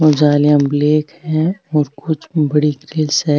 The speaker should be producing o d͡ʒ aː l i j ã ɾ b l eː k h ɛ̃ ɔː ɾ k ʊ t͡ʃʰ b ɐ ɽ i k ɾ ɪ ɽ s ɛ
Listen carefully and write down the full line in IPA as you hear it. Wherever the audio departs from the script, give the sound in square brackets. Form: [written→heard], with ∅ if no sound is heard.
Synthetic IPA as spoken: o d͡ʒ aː l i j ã [ɾ→∅] b l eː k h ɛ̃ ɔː ɾ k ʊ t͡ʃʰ b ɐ ɽ i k ɾ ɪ [ɽ→l] s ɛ